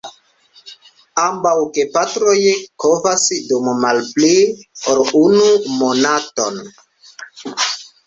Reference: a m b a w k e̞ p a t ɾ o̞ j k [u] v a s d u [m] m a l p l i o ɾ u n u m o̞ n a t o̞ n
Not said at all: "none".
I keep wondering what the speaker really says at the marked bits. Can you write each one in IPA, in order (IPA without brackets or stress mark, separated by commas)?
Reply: o, m